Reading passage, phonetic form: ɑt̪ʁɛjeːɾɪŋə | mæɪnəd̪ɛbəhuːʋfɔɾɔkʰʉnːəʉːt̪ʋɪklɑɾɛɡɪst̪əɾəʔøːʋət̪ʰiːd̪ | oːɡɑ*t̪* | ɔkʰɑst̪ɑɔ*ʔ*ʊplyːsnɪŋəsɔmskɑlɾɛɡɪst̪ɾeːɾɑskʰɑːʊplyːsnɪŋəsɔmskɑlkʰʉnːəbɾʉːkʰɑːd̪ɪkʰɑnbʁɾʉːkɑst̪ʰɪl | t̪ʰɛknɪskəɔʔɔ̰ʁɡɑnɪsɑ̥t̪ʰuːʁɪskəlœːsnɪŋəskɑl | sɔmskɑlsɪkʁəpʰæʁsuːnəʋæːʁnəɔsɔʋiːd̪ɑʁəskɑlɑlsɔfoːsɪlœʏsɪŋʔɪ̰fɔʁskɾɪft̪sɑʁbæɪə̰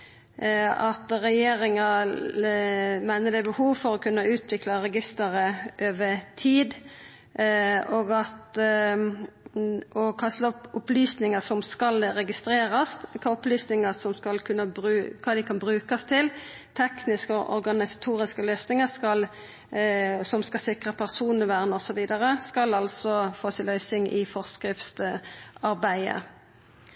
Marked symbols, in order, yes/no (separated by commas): yes, no